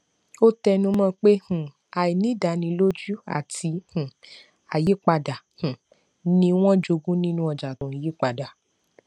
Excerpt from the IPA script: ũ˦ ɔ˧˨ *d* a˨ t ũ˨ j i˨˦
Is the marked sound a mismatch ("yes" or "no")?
yes